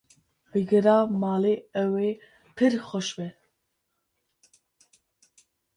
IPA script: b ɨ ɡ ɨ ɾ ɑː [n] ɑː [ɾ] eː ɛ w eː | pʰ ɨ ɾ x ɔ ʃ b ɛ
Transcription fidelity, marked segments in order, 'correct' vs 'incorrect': incorrect: m, incorrect: l

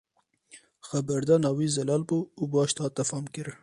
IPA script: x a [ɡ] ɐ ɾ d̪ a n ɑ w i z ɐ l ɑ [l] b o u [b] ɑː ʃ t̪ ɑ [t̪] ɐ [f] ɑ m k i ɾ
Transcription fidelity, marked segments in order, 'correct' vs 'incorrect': incorrect: b, correct, correct, correct, correct

